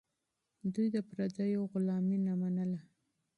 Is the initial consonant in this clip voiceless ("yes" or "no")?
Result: no